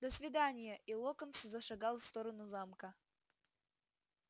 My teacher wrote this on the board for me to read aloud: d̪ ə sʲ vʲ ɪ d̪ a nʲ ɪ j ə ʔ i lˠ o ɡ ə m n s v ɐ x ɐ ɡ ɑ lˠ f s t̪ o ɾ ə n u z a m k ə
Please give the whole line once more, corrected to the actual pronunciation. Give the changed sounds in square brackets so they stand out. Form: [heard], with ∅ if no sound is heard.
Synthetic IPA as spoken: d̪ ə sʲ vʲ ɪ d̪ a nʲ ɪ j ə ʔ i lˠ o [k] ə [∅] n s [z] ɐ [ʂ] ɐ ɡ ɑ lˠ f s t̪ o ɾ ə n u z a m k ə